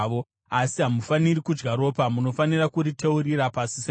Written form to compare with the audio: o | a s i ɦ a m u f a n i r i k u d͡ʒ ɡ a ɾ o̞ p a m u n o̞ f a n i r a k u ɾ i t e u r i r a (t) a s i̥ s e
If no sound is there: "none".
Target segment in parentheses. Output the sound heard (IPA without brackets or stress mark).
p